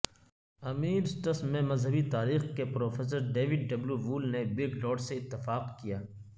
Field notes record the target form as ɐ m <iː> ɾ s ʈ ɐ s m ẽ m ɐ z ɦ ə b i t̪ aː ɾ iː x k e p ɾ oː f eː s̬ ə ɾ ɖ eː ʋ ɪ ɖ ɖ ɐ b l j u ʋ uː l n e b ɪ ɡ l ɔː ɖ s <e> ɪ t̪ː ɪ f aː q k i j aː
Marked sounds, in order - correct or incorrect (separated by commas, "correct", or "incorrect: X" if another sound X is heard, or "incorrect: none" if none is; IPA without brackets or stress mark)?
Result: correct, correct